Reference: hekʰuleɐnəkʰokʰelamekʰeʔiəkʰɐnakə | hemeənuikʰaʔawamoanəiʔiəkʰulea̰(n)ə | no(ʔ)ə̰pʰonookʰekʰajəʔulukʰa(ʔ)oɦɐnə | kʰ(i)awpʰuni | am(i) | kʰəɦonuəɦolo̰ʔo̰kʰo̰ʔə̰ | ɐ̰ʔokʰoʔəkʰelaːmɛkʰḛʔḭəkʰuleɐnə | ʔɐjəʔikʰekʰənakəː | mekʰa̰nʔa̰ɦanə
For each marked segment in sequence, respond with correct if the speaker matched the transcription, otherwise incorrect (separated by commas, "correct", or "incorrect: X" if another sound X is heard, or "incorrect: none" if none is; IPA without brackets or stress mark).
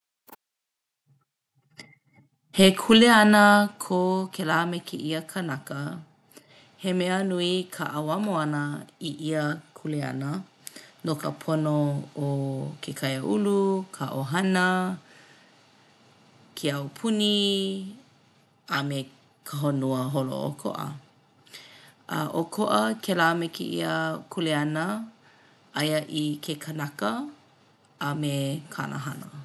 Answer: correct, incorrect: k, correct, incorrect: e, incorrect: e